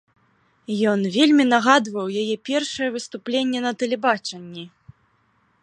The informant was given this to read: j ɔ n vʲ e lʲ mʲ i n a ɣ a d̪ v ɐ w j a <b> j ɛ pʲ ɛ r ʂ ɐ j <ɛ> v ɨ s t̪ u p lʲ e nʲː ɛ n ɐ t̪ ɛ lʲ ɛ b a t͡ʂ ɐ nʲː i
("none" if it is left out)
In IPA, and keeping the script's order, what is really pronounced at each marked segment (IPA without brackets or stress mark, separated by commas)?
none, ɛ